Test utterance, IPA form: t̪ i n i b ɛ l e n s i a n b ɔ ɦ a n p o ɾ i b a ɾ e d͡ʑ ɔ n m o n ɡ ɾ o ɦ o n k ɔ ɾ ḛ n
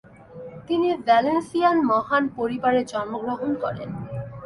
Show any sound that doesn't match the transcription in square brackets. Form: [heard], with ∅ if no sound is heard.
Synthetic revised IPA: t̪ i n i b ɛ l e n s i a n [m] ɔ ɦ a n p o ɾ i b a ɾ e d͡ʑ ɔ n m o [∅] ɡ ɾ o ɦ o n k ɔ ɾ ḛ n

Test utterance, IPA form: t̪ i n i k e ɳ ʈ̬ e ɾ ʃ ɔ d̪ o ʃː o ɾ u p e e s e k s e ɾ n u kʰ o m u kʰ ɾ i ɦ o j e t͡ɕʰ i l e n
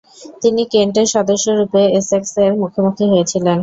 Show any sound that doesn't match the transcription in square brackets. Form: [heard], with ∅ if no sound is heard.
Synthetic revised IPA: t̪ i n i k e ɳ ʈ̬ e ɾ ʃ ɔ d̪ o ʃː o ɾ u p e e s e k s e ɾ [m] u kʰ o m u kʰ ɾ i ɦ o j e t͡ɕʰ i l e n

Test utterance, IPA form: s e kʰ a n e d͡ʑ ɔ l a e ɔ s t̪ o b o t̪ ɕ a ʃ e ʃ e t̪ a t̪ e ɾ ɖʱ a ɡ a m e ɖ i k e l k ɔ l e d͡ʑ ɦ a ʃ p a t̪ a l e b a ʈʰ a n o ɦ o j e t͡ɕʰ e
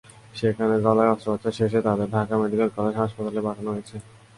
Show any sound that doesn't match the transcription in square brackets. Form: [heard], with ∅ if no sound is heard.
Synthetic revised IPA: [ʃ] e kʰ a n e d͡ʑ ɔ l a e ɔ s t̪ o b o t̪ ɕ a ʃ e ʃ e t̪ a [d̪] e ɾ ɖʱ a [k] a m e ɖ i k e l k ɔ l e d͡ʑ ɦ a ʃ p a t̪ a l e b a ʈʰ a n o ɦ o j e t͡ɕʰ e

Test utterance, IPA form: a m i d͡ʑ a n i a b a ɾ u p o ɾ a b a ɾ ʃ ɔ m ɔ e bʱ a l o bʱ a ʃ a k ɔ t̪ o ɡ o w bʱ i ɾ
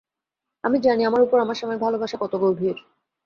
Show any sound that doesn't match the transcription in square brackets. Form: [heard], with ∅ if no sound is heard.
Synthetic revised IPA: a m i d͡ʑ a n i a [m] a ɾ u p o ɾ a [m] a ɾ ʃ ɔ m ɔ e bʱ a l o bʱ a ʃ a k ɔ t̪ o ɡ o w bʱ i ɾ

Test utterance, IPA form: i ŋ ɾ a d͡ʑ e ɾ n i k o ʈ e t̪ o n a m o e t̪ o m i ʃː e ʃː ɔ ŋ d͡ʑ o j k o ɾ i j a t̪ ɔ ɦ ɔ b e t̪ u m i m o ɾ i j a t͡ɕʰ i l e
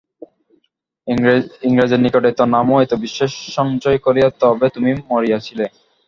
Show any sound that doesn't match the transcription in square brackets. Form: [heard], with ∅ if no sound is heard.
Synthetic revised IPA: i ŋ ɾ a d͡ʑ e ɾ n i k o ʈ e t̪ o n a m o e t̪ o [b] i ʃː e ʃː ɔ ŋ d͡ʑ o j k o ɾ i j a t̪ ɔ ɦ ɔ b e t̪ u m i m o ɾ i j a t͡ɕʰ i l e

